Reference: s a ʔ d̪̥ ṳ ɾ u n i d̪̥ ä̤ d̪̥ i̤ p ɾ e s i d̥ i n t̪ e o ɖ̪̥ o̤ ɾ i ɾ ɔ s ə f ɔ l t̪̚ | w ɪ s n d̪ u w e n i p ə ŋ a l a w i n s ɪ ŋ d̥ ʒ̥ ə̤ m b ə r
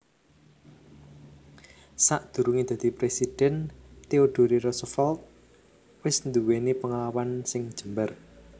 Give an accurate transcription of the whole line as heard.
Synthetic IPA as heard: s a ʔ d̪̥ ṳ ɾ u ŋ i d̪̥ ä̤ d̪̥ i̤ p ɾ e s i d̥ ɛ n t̪ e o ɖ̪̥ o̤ ɾ i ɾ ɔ s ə f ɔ l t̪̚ | w ɪ s n d̪ u w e n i p ə ŋ a l a w a n s ɪ ŋ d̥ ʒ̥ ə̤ m b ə r